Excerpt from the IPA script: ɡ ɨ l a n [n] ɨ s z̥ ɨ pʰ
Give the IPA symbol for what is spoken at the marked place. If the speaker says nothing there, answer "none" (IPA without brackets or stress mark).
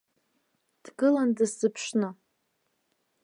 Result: d